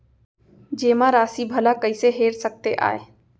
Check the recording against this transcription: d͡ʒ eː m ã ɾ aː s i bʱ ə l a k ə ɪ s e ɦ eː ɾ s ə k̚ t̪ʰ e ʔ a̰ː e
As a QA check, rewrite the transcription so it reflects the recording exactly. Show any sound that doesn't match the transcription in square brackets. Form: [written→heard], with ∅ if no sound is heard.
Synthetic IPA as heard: d͡ʒ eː m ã ɾ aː s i bʱ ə l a k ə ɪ s e ɦ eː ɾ s ə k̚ [t̪ʰ→t̪] e ʔ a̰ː e